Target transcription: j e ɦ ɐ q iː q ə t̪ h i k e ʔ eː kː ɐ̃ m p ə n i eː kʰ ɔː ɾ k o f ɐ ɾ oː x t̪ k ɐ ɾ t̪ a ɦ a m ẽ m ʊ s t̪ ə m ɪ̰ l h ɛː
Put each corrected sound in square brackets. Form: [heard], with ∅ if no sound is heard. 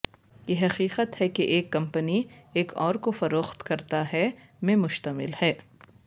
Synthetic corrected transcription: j e ɦ ɐ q iː q ə t̪ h [ɛ] k e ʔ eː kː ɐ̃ m p ə n i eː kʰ ɔː ɾ k o f ɐ ɾ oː x t̪ k ɐ ɾ t̪ a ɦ [ɛ] m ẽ m ʊ [ʃ] t̪ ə m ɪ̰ l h ɛː